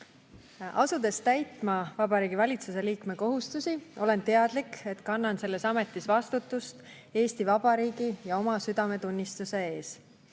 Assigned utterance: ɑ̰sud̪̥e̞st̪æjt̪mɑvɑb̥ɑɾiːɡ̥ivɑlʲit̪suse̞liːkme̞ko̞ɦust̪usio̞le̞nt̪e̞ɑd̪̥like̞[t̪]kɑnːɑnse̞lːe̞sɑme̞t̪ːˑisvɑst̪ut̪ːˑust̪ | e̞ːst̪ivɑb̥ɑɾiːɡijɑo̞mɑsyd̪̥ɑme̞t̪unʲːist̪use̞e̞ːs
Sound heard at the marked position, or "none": t̪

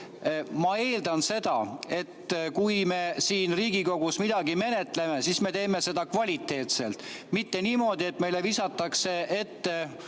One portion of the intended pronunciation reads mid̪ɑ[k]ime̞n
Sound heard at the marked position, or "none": ɡ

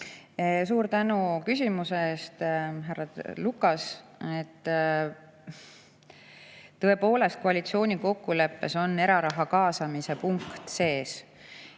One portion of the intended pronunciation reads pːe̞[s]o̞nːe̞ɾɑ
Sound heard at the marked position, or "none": s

